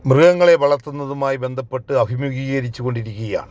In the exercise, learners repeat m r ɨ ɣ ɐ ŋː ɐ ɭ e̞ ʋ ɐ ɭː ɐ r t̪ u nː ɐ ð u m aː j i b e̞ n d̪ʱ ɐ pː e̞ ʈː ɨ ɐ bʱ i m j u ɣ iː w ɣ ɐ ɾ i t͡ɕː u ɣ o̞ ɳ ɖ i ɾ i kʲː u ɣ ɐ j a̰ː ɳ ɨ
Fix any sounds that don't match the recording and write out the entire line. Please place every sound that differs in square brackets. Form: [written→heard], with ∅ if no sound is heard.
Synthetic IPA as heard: m r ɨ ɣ ɐ ŋː ɐ ɭ e̞ ʋ ɐ [ɭː→ɭ] ɐ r t̪ u nː ɐ ð u m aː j i b e̞ n d̪ʱ ɐ pː e̞ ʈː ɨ ɐ bʱ i m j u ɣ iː [w→ɣ] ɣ ɐ ɾ i t͡ɕː u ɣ o̞ ɳ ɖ i ɾ i kʲː u ɣ ɐ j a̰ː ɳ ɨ